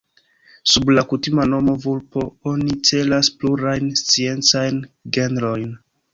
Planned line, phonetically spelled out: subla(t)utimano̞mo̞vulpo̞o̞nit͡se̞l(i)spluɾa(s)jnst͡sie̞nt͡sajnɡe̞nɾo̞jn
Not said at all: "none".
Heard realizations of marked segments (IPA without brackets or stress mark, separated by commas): k, a, none